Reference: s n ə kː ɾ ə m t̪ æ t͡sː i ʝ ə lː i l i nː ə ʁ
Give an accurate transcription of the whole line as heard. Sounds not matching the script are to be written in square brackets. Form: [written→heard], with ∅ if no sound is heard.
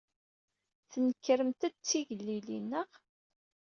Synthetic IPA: [s→θ] n ə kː ɾ ə m t̪ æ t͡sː i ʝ ə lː i l i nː ə ʁ

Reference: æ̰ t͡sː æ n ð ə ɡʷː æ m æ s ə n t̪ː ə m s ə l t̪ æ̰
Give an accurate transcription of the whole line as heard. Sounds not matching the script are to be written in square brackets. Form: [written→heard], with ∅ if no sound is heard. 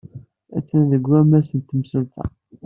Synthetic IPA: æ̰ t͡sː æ n ð ə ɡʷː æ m æ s ə n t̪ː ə m s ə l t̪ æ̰

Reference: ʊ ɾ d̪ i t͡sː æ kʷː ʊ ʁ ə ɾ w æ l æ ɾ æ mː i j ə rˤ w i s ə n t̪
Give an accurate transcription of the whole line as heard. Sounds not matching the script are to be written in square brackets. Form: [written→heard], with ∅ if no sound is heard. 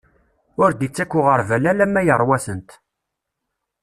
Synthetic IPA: ʊ ɾ d̪ i t͡sː æ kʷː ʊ ʁ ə ɾ [w→v] æ l æ [ɾ→l] æ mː [i→æ] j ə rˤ w [i→æ] s ə n t̪

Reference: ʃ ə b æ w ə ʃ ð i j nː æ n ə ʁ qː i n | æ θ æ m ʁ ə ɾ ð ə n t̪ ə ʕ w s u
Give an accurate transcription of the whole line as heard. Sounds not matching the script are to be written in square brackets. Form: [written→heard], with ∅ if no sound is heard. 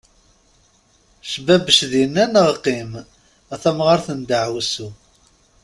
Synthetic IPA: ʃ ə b æ [w→b] ə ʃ ð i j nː æ n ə ʁ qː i [n→m] | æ θ æ m ʁ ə ɾ [ð→θ] ə n [t̪→d̪] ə ʕ w s u

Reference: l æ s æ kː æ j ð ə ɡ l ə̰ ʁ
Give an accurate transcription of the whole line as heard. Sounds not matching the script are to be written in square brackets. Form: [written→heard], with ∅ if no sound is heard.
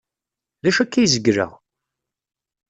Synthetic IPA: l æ [s→ʃ] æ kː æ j [ð→z] ə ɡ [l→ɾ] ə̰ ʁ

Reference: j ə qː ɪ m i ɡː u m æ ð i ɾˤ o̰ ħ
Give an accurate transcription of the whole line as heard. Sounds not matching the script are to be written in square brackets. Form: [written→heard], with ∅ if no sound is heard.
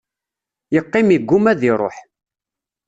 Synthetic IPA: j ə qː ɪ m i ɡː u m æ ð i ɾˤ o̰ ħ

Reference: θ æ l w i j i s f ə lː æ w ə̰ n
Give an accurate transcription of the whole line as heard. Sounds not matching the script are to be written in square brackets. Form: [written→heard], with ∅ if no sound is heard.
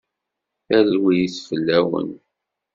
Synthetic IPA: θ æ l w i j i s f ə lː æ w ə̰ n

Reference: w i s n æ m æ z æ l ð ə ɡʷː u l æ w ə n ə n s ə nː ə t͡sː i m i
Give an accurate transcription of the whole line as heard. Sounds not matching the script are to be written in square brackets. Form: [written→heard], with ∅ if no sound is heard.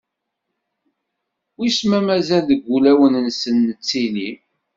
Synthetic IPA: w i s [n→m] æ m æ z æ l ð ə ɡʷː u l æ w ə n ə n s ə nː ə t͡sː i [m→n] i

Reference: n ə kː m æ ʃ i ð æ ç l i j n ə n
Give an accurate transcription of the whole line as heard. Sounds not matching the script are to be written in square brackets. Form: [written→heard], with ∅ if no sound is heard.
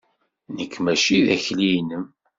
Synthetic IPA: n ə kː m æ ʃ i ð æ ç l i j n ə [n→m]

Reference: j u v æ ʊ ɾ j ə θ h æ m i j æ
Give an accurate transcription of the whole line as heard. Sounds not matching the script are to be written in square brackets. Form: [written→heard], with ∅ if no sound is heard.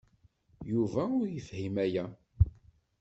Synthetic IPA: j u v æ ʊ ɾ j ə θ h [æ→i] m [i→æ] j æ

